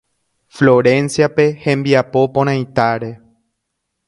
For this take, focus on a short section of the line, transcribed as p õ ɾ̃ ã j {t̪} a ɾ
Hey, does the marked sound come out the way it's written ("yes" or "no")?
yes